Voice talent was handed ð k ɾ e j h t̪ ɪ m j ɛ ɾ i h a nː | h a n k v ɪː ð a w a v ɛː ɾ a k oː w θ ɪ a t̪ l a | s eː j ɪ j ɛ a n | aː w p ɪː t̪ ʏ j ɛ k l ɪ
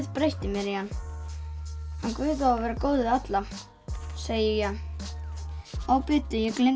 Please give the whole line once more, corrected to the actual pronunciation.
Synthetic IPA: ð p ɾ e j h t̪ ɪ m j ɛ ɾ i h a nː | h a n k v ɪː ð a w a v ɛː ɾ a k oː w ð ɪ a t̪ l a | s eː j ɪ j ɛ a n | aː w p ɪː t̪ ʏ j ɛ k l ɪ